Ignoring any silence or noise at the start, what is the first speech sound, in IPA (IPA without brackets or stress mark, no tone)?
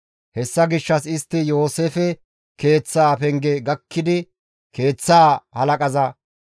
h